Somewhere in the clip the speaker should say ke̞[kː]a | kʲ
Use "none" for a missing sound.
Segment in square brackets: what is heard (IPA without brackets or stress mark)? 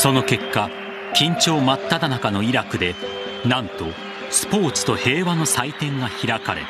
kː